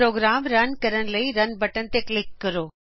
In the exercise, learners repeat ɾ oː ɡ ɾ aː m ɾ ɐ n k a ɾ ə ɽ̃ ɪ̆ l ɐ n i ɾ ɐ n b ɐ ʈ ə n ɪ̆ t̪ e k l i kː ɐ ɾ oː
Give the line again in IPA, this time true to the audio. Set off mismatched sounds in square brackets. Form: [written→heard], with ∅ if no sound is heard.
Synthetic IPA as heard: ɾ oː ɡ ɾ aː m ɾ ɐ n k [a→ɐ] ɾ ə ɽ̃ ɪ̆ l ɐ [n→∅] i ɾ ɐ n b ɐ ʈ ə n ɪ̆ t̪ e k l [i→ɪ] kː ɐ ɾ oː

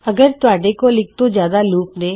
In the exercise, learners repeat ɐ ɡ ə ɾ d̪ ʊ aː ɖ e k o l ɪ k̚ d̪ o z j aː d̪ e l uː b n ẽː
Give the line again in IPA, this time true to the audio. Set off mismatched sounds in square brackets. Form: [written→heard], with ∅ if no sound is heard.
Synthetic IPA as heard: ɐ ɡ ə ɾ [d̪→t̪] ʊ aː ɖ e k o l ɪ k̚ [d̪→t̪] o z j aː d̪ [e→a] l uː [b→p] n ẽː

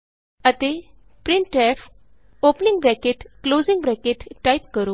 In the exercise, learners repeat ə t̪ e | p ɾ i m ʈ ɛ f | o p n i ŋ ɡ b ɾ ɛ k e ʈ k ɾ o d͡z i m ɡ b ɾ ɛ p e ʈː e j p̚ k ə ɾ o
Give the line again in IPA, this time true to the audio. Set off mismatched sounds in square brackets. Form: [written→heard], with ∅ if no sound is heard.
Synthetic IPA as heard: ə t̪ e | p ɾ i [m→ɳ] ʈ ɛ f | o p n i ŋ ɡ b ɾ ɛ k e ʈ k [ɾ→l] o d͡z i [m→ŋ] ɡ b ɾ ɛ [p→k] e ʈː [e→a] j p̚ k ə ɾ o

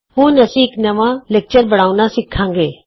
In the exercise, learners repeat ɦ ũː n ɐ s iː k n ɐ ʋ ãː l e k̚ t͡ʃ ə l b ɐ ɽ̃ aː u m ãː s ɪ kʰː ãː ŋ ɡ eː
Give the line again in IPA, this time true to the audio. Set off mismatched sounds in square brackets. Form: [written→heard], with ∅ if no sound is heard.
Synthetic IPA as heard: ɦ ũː n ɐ s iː k n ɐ ʋ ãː l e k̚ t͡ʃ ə [l→ɾ] b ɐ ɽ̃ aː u [m→n] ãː s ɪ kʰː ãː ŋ ɡ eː

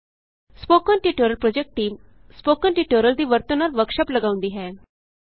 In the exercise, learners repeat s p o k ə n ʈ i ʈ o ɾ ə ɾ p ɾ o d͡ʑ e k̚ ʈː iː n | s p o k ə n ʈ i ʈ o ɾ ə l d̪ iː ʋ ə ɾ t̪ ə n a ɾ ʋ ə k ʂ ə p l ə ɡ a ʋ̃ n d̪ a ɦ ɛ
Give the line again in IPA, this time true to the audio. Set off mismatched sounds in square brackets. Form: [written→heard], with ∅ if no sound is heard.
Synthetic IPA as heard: s p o k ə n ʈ i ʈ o ɾ ə [ɾ→l] p ɾ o d͡ʑ e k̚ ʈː iː [n→m] | s p o k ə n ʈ i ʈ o ɾ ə l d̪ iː ʋ ə ɾ t̪ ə n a ɾ ʋ ə k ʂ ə p l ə ɡ a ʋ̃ n d̪ [a→i] ɦ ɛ

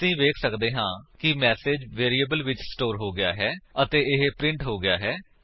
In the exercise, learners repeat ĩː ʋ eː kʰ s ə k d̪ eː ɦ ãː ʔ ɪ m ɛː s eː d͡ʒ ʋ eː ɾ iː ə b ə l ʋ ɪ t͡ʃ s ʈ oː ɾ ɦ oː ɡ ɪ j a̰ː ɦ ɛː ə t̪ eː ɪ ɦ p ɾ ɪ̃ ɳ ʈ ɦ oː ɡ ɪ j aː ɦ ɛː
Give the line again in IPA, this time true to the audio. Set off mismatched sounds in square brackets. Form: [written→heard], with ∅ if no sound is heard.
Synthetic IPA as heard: ĩː ʋ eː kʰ s ə k d̪ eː ɦ ãː [ʔ→k] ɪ m ɛː s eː d͡ʒ ʋ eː ɾ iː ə b ə l ʋ ɪ t͡ʃ s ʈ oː ɾ ɦ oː ɡ ɪ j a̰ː ɦ ɛː ə t̪ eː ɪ ɦ p ɾ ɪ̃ ɳ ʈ ɦ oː ɡ ɪ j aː ɦ ɛː

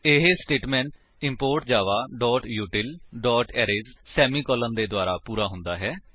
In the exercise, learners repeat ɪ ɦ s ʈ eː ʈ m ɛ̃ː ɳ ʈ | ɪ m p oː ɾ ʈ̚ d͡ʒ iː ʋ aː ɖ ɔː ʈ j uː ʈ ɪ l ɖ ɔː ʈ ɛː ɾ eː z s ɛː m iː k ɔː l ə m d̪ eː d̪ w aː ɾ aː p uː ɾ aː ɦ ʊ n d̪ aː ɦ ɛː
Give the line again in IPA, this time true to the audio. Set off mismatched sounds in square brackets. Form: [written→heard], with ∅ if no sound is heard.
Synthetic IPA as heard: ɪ ɦ s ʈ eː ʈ m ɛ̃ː ɳ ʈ | ɪ m p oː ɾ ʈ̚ d͡ʒ [iː→aː] ʋ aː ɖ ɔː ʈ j uː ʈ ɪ l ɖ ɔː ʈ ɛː ɾ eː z s ɛː m iː k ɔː l ə [m→n] d̪ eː d̪ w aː ɾ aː p uː ɾ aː ɦ ʊ n d̪ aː ɦ ɛː

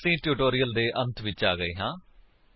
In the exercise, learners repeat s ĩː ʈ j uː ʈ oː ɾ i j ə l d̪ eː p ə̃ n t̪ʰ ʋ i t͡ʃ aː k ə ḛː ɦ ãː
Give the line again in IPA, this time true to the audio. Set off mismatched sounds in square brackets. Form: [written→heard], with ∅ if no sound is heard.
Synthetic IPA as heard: s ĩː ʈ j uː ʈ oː ɾ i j ə l d̪ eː [p→ʔ] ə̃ n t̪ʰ ʋ [i→ɪ] t͡ʃ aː [k→ɡ] ə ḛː ɦ ãː

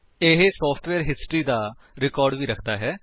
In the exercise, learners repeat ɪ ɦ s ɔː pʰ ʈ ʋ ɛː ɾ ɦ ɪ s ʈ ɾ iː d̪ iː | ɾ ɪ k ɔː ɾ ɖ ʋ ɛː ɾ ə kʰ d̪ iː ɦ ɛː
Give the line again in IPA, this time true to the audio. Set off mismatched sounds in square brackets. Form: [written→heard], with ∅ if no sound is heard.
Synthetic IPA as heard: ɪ ɦ s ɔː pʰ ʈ ʋ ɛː ɾ ɦ ɪ s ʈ ɾ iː d̪ [iː→aː] | ɾ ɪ k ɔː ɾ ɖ ʋ [ɛː→iː] ɾ ə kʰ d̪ [iː→aː] ɦ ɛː

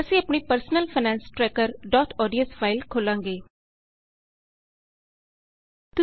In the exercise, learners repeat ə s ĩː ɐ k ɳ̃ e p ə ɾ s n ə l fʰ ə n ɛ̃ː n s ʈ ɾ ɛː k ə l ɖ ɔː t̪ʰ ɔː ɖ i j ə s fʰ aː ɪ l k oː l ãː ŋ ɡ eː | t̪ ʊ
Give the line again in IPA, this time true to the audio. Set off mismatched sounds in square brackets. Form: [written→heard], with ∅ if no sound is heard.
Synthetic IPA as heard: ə s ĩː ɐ [k→p] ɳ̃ [e→i] p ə ɾ s n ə l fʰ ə n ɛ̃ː n s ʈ ɾ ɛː k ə [l→ɾ] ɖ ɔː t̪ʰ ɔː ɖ i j ə s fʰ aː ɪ l [k→kʰ] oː l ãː ŋ ɡ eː | t̪ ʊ

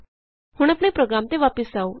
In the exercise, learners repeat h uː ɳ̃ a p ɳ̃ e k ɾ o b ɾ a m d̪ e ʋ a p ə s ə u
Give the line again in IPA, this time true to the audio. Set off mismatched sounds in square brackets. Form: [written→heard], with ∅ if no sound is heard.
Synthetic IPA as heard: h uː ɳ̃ a p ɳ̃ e [k→p] ɾ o [b→ɡ] ɾ a m [d̪→t̪] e ʋ a p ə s [ə→a] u

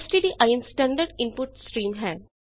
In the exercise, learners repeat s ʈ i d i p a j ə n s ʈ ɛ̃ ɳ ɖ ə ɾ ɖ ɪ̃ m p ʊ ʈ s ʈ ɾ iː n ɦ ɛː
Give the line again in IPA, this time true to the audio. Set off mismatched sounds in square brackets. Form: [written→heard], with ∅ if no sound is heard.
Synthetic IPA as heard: s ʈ i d i [p→ʔ] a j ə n s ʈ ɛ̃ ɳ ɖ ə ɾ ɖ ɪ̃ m p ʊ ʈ s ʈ ɾ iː [n→m] ɦ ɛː

